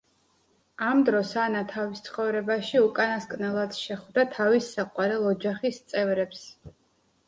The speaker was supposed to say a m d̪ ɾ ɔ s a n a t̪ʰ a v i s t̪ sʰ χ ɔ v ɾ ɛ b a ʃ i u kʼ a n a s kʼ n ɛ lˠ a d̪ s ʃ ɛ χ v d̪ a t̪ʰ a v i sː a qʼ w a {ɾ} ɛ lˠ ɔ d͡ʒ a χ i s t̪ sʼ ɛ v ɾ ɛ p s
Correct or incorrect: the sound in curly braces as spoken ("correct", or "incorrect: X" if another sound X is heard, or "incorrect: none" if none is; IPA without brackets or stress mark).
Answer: correct